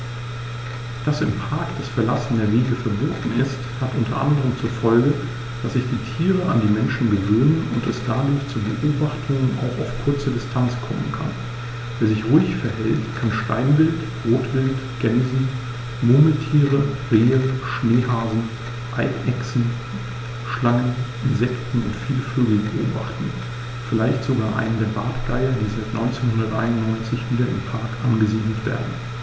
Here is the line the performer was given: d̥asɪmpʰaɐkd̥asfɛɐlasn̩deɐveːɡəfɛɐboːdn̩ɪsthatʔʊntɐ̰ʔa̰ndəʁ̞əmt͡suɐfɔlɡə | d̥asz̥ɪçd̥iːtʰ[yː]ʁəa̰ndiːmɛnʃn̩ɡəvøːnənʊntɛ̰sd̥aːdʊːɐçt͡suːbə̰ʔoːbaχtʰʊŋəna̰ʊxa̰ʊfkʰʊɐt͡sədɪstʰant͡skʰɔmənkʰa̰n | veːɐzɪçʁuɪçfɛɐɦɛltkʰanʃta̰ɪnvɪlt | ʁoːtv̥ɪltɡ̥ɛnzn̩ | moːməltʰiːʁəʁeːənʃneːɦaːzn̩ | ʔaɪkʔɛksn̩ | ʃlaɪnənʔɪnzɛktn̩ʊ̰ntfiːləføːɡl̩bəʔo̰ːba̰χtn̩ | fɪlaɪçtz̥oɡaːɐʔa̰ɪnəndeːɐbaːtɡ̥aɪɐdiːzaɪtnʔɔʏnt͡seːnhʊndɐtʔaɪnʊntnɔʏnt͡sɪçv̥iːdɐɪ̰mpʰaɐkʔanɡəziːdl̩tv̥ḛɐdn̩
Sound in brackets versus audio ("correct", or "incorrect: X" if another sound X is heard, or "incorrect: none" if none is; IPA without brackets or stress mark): incorrect: iː